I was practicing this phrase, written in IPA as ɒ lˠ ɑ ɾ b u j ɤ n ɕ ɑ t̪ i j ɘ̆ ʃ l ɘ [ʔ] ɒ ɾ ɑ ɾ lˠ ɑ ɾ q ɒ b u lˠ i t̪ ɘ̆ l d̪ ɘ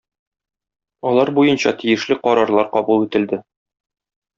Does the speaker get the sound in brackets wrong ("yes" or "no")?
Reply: yes